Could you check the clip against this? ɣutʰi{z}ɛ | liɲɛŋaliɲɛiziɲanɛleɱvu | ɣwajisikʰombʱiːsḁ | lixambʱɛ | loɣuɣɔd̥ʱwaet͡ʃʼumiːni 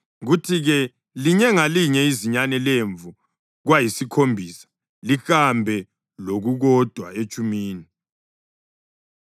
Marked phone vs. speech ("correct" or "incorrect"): incorrect